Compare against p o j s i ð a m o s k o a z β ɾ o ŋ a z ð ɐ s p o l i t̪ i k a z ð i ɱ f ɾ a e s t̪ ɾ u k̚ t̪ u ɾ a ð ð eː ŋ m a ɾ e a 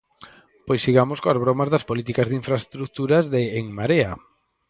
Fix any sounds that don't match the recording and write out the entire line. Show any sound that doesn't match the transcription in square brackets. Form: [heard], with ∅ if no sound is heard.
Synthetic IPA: p o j s i [ɣ] a m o s k o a z β ɾ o [m] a z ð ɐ s p o l i t̪ i k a z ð i ɱ f ɾ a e s t̪ ɾ u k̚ t̪ u ɾ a [z] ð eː ŋ m a ɾ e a